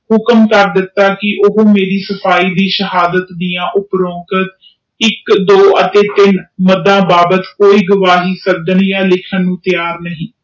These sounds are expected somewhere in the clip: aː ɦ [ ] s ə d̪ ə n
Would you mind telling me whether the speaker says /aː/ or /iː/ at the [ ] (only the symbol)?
iː